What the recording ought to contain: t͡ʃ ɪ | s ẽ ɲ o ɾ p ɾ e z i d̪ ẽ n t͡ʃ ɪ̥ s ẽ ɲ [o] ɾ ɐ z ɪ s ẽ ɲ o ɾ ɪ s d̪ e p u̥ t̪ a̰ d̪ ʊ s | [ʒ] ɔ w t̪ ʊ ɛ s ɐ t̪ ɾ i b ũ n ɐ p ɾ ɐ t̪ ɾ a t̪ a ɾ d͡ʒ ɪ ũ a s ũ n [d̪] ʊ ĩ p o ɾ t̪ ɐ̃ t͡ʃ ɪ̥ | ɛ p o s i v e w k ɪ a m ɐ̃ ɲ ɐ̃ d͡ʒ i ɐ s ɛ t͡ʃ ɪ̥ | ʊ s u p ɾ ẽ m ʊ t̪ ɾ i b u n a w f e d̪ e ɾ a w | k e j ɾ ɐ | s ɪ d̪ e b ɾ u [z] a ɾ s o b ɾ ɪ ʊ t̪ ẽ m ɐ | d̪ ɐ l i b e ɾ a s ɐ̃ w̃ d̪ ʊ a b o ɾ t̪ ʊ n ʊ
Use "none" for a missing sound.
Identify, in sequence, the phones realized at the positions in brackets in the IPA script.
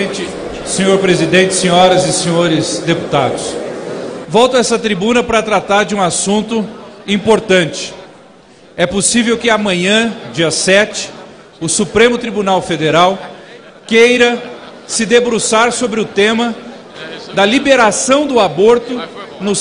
ɔ, v, t̪, s

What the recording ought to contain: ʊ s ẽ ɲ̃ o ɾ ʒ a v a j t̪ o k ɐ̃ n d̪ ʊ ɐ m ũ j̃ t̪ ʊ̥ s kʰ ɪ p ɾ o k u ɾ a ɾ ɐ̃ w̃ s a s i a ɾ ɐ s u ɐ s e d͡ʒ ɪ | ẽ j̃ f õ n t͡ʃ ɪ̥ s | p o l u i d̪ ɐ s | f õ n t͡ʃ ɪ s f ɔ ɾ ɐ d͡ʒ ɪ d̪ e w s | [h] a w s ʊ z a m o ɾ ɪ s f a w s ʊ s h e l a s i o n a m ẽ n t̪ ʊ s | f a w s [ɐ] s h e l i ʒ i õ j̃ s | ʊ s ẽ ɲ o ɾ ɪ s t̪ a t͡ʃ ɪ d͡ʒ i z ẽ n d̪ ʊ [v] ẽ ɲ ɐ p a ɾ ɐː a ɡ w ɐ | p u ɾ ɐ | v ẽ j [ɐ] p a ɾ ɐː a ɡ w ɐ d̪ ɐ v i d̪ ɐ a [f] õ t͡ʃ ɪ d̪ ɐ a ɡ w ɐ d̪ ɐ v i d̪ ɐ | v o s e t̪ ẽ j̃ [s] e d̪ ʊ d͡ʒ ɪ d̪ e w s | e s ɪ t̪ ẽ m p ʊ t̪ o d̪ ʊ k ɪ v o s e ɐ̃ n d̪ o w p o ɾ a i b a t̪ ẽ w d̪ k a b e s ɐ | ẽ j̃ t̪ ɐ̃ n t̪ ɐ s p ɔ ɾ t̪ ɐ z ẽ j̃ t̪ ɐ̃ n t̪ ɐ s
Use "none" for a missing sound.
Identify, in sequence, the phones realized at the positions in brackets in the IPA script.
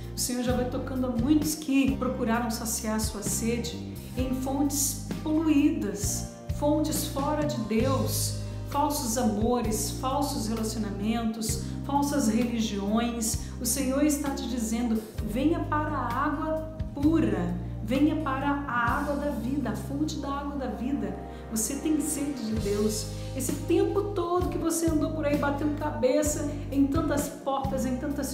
f, ɐ, v, ɐ, f, s

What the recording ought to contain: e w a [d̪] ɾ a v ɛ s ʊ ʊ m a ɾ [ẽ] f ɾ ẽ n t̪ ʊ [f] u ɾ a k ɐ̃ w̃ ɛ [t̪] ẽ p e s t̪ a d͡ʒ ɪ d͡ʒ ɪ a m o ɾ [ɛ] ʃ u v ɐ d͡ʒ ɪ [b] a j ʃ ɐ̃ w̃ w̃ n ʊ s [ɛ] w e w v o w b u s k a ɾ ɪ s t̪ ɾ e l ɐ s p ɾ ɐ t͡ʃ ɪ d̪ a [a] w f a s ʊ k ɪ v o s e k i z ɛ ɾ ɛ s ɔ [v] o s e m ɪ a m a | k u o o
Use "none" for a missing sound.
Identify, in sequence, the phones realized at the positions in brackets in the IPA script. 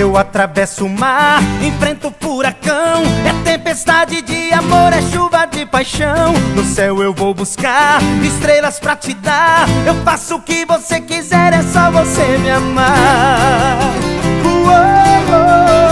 t̪, ẽ, f, t̪, ɛ, p, ɛ, e, v

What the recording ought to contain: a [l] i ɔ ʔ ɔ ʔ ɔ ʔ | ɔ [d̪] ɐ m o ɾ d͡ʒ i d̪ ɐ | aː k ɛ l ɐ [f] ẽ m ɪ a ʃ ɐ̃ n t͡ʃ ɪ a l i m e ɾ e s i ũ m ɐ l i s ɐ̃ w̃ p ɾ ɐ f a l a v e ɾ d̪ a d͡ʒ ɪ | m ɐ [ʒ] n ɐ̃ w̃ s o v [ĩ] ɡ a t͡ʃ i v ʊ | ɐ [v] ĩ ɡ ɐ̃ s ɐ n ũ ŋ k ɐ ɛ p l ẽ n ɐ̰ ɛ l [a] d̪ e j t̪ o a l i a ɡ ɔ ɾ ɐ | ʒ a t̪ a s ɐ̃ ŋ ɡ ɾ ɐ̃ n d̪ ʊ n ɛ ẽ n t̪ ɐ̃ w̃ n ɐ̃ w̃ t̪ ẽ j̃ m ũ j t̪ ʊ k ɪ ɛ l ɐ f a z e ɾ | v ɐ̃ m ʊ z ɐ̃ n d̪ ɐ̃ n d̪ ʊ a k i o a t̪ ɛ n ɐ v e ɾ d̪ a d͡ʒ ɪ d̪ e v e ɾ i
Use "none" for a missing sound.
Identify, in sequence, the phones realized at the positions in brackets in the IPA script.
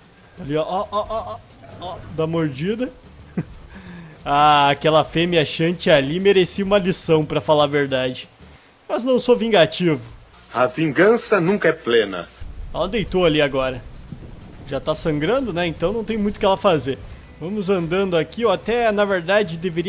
l, d̪, f, z, ĩ, v, ɐ

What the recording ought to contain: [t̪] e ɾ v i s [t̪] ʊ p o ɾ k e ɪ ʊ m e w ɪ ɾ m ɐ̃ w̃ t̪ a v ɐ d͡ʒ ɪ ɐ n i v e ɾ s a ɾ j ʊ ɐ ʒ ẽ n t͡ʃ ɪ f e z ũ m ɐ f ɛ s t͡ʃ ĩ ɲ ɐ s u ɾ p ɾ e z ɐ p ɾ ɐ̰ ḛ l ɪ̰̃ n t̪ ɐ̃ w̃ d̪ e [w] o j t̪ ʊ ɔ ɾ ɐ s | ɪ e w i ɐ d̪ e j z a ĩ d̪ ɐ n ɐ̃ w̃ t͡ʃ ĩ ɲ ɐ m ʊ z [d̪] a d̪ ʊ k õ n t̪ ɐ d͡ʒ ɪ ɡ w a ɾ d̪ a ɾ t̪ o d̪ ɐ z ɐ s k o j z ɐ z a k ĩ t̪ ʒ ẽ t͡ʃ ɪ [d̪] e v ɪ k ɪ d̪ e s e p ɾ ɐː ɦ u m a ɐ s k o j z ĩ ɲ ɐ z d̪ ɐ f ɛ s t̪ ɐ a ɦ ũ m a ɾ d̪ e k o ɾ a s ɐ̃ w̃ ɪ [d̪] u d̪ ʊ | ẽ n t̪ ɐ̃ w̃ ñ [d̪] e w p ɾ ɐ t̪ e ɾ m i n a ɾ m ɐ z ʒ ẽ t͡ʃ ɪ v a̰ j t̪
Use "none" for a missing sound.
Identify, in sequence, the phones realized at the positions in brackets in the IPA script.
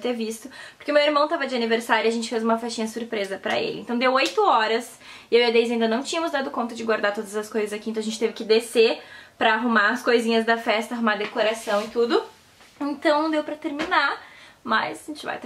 t̪, t̪, w, d̪, t̪, t̪, d̪

